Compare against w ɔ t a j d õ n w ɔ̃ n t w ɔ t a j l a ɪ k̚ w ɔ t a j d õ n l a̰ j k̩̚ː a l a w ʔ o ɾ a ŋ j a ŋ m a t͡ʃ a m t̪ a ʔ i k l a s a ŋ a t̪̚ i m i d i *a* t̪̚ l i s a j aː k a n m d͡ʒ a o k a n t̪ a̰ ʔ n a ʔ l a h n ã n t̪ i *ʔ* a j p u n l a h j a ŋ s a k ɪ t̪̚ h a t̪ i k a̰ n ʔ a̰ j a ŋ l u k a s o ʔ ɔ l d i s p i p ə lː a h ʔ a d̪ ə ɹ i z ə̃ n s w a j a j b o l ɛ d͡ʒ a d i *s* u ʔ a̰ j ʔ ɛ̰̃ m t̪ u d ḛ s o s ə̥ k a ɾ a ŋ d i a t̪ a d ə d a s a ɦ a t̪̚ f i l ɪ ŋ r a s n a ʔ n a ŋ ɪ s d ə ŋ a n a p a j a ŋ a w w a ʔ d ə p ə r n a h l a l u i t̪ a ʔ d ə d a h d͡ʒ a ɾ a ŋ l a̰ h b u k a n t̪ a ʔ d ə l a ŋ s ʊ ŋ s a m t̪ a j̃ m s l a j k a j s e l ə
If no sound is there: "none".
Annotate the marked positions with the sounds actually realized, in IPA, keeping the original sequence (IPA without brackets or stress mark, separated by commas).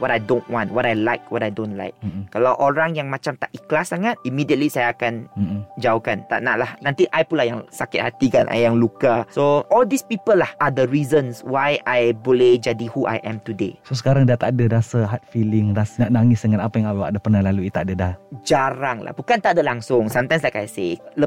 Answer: ə, ʔ, h